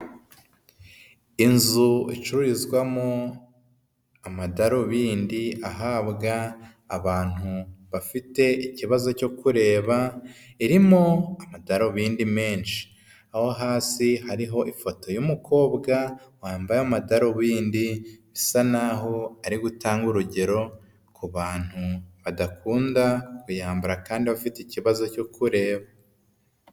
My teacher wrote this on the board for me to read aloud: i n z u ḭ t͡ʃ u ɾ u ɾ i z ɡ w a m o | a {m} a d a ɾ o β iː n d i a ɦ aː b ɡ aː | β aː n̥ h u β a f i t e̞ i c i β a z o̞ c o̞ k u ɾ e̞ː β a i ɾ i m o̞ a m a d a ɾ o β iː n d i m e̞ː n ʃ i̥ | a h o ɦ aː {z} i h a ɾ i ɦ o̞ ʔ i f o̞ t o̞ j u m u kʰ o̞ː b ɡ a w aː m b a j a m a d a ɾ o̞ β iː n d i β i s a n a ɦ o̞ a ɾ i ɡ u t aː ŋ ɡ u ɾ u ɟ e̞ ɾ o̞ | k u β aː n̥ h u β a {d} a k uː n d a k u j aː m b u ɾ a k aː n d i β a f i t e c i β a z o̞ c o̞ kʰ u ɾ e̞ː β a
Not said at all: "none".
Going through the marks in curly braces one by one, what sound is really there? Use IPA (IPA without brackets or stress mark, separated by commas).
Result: m, s, d